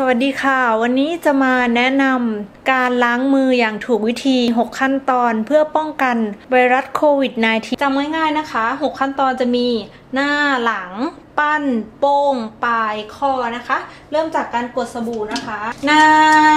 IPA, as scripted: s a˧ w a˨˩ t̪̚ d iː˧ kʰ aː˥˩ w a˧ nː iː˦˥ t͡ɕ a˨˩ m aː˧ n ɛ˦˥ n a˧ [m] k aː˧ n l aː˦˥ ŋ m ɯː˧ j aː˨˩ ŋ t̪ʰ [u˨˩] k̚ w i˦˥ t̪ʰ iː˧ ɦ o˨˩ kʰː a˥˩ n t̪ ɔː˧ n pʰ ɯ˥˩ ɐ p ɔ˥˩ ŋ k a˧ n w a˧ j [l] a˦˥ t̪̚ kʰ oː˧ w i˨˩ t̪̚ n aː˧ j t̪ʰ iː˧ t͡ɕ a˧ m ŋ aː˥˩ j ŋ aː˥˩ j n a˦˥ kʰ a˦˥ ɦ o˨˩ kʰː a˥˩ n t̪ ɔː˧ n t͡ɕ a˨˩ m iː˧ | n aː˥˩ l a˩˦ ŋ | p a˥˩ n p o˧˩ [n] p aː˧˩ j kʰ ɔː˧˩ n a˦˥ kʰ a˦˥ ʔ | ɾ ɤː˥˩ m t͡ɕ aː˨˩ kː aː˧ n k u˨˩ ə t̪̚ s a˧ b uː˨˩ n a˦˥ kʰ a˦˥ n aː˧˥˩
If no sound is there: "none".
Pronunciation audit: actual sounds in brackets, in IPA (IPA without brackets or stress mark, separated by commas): m, uː˨˩, ɾ, ŋ